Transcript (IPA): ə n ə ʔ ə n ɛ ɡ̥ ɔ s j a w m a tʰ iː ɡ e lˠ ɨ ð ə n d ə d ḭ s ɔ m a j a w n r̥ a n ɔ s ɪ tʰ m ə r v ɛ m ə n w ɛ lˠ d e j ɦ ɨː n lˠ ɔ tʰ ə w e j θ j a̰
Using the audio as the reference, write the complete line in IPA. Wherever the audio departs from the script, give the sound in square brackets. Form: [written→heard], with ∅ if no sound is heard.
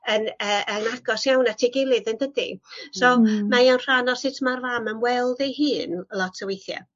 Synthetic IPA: ə n ə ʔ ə n [ɛ→a] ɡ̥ ɔ s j a w [m→n] a tʰ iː ɡ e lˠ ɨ ð ə n d ə d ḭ s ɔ m a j a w n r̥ a n ɔ s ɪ tʰ m [ə→a] r v [ɛ→a] m ə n w ɛ lˠ d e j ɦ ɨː n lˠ ɔ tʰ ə w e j θ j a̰